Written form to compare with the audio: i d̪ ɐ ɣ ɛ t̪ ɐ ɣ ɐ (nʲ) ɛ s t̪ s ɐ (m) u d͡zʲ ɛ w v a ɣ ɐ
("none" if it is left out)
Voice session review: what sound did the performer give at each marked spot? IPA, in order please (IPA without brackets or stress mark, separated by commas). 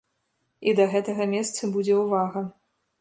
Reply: mʲ, b